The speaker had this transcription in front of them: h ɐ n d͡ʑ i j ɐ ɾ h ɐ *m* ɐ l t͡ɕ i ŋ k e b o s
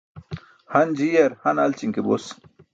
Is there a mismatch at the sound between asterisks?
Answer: yes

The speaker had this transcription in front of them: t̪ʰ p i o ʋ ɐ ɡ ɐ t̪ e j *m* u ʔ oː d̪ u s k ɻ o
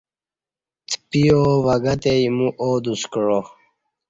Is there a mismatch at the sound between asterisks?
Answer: no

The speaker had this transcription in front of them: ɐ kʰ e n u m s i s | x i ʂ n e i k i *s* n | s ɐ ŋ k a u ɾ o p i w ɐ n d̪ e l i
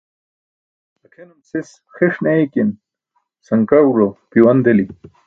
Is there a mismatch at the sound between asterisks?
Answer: yes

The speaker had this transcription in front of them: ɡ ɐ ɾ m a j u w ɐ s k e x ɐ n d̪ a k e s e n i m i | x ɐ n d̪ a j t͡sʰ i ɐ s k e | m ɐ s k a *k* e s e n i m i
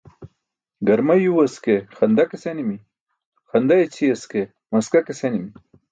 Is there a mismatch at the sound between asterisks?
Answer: no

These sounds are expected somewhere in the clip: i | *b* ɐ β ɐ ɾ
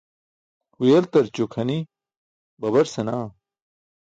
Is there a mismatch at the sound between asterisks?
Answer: no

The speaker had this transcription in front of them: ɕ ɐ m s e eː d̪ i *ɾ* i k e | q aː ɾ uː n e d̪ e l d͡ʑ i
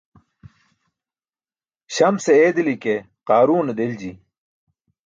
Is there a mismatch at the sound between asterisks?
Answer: yes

